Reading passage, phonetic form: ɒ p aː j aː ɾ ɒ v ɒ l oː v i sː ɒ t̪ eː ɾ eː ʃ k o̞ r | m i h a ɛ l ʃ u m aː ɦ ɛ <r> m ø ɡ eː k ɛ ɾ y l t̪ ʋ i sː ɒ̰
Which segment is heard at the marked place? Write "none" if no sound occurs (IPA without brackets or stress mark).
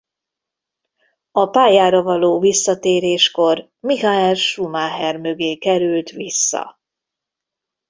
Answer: r